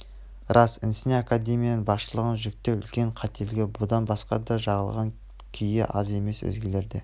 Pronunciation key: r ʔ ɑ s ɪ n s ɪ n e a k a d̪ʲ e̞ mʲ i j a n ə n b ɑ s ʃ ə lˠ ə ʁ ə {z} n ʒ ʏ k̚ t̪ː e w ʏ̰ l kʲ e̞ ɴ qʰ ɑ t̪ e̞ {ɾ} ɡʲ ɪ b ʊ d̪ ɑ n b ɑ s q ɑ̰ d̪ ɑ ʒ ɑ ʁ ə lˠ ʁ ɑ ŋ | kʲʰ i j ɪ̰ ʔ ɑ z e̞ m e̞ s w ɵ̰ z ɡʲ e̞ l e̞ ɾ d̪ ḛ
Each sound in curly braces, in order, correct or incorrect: incorrect, incorrect

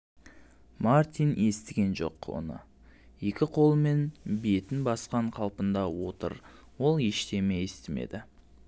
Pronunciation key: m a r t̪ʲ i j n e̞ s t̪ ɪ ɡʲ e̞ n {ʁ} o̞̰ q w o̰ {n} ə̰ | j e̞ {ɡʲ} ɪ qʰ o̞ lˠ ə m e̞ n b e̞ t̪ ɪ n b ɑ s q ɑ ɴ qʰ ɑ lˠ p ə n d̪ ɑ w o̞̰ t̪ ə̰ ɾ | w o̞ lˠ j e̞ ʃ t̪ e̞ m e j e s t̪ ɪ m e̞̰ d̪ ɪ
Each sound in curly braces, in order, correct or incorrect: incorrect, correct, incorrect

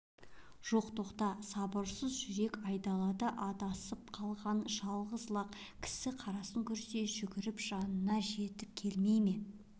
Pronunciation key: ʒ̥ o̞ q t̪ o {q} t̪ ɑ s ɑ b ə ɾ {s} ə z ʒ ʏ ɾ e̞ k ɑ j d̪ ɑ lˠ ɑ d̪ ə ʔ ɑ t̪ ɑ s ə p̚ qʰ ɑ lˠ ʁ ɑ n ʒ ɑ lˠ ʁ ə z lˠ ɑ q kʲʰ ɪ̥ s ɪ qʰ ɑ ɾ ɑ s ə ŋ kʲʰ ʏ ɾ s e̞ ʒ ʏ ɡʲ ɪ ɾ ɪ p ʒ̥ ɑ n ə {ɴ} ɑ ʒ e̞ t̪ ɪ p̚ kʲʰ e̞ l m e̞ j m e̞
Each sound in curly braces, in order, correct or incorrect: correct, correct, incorrect

